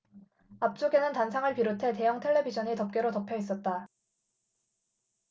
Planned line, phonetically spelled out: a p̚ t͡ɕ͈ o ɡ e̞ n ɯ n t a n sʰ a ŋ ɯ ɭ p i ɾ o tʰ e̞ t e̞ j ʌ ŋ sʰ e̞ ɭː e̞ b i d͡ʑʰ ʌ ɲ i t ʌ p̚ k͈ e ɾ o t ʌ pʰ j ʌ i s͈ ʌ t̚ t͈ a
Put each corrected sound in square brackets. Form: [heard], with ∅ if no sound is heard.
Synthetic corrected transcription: a p̚ t͡ɕ͈ o ɡ e̞ n ɯ n t a n sʰ a ŋ ɯ ɭ p i ɾ o tʰ e̞ t e̞ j ʌ ŋ [tʰ] e̞ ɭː e̞ b i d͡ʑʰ ʌ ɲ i t ʌ p̚ k͈ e ɾ o t ʌ pʰ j ʌ i s͈ ʌ t̚ t͈ a